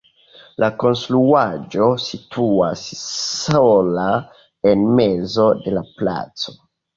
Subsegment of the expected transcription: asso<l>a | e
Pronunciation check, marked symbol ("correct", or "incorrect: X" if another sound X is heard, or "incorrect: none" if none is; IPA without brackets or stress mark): correct